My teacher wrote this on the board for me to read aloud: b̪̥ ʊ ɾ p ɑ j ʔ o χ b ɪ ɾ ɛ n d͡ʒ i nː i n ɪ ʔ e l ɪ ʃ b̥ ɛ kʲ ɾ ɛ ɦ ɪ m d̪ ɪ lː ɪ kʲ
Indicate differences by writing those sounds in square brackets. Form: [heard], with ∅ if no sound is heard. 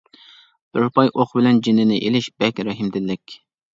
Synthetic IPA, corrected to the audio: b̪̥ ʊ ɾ p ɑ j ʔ o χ b ɪ [l] ɛ n d͡ʒ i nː [ɪ] n ɪ ʔ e l ɪ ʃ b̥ ɛ kʲ ɾ ɛ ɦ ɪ m d̪ ɪ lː ɪ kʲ